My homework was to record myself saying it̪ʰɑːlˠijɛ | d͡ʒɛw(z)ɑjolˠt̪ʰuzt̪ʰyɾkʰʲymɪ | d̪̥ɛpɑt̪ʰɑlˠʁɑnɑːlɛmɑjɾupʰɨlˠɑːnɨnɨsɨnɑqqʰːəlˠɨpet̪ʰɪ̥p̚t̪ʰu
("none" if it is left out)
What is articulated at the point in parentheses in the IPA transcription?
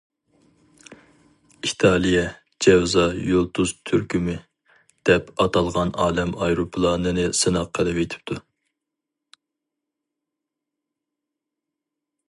z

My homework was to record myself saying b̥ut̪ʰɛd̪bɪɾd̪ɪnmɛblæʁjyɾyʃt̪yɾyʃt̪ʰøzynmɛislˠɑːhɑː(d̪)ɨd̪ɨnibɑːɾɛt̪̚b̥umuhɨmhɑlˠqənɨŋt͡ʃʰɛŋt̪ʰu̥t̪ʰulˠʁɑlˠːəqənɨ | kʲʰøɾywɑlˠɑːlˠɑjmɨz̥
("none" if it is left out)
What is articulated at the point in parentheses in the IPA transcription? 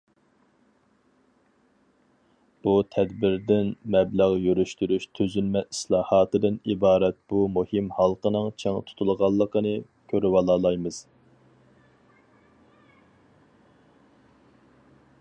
t̪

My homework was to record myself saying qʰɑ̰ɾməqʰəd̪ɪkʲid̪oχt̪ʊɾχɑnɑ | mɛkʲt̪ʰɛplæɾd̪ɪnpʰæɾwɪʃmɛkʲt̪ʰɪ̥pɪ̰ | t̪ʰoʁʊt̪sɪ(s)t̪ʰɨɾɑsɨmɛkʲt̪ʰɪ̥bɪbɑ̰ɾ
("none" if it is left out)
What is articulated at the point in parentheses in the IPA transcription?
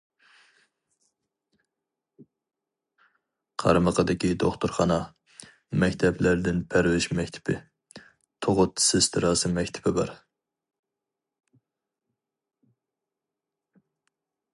s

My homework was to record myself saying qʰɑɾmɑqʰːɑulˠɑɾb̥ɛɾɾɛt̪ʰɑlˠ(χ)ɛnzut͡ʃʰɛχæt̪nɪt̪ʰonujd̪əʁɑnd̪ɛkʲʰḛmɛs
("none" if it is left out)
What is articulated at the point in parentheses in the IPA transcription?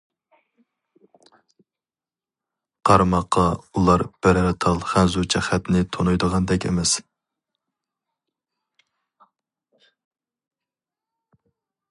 χ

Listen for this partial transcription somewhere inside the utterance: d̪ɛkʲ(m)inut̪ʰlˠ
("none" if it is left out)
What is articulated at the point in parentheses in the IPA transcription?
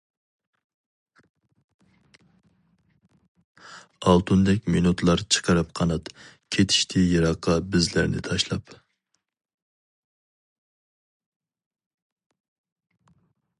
m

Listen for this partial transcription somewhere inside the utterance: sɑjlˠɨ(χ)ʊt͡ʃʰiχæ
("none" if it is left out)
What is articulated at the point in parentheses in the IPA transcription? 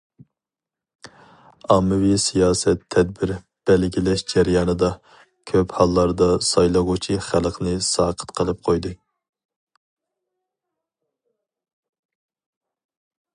ʁ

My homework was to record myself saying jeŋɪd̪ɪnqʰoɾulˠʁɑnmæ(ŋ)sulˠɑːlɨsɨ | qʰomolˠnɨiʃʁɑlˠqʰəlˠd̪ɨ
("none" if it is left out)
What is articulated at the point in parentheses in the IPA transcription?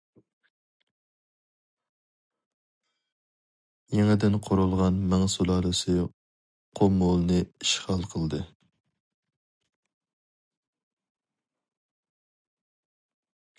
ŋ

